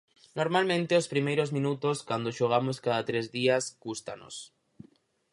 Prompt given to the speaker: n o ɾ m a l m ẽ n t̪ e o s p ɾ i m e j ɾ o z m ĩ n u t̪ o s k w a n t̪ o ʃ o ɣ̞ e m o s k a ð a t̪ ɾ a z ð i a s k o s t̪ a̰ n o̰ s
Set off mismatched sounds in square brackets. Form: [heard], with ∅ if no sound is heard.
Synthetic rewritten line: n o ɾ m a l m ẽ n t̪ e o s p ɾ i m e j ɾ o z m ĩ n u t̪ o s k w a n [d̪] o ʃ o ɣ̞ [a] m o s k a ð a t̪ ɾ [e] z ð i a s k [u] s t̪ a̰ n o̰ s